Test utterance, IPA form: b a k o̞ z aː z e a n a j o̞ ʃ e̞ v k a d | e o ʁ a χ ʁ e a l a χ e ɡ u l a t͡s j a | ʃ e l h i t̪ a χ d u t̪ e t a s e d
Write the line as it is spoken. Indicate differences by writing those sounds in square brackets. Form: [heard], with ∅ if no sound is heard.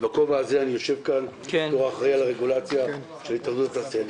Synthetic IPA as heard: b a k o̞ [v] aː z e a n [i] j o̞ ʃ e̞ v k a [n] | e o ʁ a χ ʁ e a l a [ʁ] e ɡ u l a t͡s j a | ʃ e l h i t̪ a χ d u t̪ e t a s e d